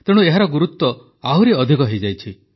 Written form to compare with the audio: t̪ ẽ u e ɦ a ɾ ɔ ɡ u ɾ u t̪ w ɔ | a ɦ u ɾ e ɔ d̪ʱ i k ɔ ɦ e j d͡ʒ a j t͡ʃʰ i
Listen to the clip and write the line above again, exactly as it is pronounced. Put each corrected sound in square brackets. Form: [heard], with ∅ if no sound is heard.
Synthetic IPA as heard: t̪ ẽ u e ɦ a ɾ ɔ ɡ u ɾ u t̪ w ɔ | a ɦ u ɾ e ɔ d̪ʱ i k ɔ ɦ e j d͡ʒ a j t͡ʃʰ i